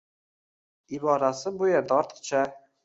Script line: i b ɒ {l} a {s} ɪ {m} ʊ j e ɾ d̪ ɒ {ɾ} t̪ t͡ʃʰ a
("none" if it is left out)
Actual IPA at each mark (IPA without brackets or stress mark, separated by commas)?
ɾ, s, b, ɾ